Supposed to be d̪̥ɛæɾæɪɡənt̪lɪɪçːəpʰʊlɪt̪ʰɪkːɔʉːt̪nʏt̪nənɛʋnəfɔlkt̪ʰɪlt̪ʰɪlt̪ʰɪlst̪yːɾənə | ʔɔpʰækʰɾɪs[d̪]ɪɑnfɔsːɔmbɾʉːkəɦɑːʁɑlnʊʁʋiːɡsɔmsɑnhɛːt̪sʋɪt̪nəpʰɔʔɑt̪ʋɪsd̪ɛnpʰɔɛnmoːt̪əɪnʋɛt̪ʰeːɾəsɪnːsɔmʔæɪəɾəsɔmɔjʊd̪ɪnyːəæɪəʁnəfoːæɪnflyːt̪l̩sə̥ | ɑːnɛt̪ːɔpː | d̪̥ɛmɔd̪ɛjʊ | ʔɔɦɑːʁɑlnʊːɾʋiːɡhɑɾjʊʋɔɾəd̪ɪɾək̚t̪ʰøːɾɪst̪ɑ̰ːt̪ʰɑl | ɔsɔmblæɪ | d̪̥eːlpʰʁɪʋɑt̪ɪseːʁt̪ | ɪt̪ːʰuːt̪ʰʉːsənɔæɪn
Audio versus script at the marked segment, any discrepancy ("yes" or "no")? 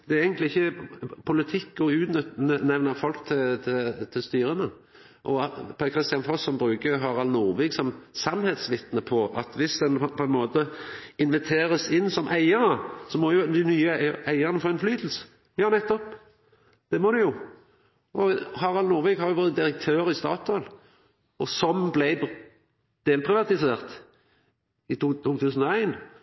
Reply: yes